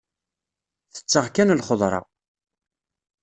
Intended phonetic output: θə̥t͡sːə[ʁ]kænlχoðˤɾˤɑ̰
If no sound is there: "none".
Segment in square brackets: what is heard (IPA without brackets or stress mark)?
ʁ